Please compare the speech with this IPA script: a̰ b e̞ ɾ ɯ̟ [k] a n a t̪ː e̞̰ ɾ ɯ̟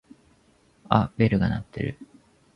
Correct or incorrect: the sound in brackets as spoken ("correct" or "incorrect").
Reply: incorrect